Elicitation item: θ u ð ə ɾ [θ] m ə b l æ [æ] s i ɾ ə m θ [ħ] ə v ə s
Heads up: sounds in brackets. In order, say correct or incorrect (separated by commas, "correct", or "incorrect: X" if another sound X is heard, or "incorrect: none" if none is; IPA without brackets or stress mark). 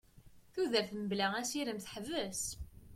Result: correct, correct, correct